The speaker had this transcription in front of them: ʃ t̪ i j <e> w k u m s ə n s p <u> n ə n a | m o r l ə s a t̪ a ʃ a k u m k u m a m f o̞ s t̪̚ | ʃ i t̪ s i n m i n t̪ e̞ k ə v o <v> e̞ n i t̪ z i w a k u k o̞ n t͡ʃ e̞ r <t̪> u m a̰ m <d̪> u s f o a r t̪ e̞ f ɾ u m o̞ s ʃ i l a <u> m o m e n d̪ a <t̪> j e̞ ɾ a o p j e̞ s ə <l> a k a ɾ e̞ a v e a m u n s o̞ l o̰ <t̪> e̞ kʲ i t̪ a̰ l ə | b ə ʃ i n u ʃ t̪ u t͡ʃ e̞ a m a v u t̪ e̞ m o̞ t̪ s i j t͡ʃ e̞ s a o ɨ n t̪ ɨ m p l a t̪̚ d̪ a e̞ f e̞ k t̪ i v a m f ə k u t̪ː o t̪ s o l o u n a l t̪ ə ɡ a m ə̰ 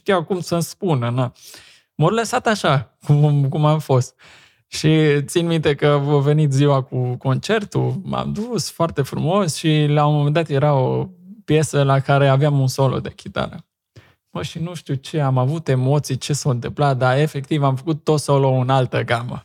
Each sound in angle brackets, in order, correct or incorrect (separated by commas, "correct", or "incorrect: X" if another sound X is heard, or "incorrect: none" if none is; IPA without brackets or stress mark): incorrect: a, correct, correct, correct, correct, incorrect: o, correct, correct, incorrect: d̪